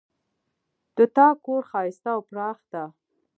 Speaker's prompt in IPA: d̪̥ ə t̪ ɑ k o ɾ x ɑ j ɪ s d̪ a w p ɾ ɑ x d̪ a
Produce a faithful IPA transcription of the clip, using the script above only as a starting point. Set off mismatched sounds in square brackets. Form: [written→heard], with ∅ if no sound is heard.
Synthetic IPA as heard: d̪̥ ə t̪ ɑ k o ɾ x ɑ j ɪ s [d̪→t̪] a w p ɾ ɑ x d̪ a

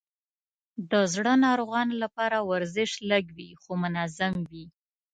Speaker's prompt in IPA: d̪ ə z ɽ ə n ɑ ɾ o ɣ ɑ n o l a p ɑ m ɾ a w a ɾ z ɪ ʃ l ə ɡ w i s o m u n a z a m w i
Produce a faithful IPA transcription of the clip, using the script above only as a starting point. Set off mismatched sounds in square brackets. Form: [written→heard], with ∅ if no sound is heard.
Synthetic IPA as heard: d̪ ə z ɽ ə n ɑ ɾ o ɣ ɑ n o l a p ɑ [m→∅] ɾ a w a ɾ z ɪ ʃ l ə ɡ w i [s→x] o m [u→ʊ] n a z a m w i

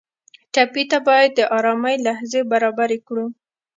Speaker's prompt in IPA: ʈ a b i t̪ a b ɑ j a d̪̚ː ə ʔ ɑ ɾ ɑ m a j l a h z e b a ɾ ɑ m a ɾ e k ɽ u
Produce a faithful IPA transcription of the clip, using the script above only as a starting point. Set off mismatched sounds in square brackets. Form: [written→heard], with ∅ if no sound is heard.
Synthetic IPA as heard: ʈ a [b→p] i t̪ a b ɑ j a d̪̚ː ə ʔ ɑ ɾ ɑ m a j l a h z e b a ɾ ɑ [m→b] a ɾ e k ɽ u

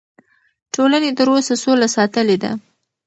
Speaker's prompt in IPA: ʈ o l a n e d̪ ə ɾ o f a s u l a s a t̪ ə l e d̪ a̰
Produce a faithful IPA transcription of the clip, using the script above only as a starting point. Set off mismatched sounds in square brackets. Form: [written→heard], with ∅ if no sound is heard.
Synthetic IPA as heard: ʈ o l a n e [d̪→t̪] ə ɾ o [f→s] a s [u→o] l a s [a→ɑ] t̪ ə l e d̪ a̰

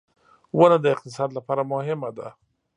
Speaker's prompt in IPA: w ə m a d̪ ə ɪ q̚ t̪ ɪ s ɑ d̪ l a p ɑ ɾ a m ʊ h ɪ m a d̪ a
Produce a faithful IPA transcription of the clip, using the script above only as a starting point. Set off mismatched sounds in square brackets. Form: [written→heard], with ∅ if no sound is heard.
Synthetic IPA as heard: w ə [m→n] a d̪ ə ɪ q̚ t̪ ɪ s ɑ d̪ l a p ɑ ɾ a m ʊ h ɪ m a d̪ a

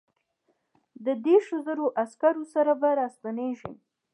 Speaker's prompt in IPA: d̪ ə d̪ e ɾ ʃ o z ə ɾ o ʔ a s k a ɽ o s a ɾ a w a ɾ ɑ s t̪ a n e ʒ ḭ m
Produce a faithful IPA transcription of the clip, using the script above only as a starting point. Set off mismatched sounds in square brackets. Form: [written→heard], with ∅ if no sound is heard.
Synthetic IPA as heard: d̪ ə d̪ e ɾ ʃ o z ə ɾ o ʔ a s k a [ɽ→ɾ] o s a ɾ a [w→b] a ɾ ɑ s t̪ a n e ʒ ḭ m

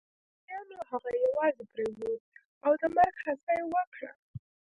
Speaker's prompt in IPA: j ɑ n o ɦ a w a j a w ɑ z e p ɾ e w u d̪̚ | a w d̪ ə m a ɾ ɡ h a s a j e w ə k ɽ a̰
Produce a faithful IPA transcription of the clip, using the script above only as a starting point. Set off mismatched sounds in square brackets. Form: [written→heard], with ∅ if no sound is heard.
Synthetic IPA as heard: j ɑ n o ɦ a [w→ɣ] a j a w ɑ z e p ɾ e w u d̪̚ | a w d̪ ə m a ɾ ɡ h a s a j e w ə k ɽ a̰

